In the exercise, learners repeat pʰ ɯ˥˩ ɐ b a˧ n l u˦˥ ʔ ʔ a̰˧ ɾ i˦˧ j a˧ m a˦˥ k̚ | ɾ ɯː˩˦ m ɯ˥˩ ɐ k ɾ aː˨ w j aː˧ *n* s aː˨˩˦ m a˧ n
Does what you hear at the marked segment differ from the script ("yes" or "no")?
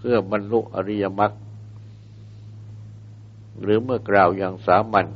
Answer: yes